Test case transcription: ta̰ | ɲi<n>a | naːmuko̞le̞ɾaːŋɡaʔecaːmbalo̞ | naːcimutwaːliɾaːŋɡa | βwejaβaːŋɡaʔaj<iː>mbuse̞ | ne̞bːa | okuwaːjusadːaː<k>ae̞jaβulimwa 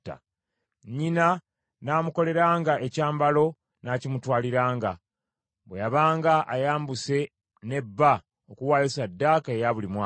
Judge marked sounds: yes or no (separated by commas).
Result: yes, no, yes